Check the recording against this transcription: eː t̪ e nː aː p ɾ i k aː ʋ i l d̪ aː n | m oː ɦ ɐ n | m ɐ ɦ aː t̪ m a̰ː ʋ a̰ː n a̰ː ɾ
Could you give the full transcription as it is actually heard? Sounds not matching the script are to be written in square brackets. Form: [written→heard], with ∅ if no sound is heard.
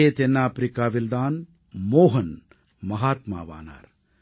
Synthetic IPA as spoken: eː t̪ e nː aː p ɾ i k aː ʋ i l d̪ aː n | m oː ɦ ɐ n | m ɐ ɦ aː t̪ m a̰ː ʋ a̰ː n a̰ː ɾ